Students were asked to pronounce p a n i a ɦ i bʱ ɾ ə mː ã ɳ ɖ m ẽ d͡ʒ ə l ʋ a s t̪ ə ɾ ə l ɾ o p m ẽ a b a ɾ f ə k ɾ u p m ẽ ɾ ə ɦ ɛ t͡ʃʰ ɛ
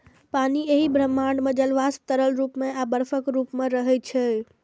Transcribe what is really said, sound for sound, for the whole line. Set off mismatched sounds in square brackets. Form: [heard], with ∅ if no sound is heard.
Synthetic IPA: p a n i [e] ɦ i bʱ ɾ ə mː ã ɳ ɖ m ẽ d͡ʒ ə l ʋ a s t̪ ə ɾ ə l ɾ [u] p m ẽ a b [ə] ɾ f ə k ɾ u p m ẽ ɾ ə ɦ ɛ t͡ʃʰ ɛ